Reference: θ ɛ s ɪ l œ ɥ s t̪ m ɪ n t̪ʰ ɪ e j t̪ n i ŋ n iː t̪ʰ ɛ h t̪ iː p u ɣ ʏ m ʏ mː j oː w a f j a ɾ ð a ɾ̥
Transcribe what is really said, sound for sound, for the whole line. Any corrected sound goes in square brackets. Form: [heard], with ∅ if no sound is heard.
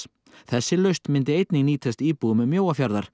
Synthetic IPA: θ ɛ [sː] ɪ l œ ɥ s t̪ m ɪ n [t̪] ɪ e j t̪ n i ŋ n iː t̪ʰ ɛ [s] t̪ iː p u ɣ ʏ m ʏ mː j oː w a f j a ɾ ð a ɾ̥